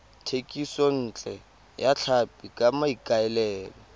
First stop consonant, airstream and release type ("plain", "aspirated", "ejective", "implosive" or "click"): aspirated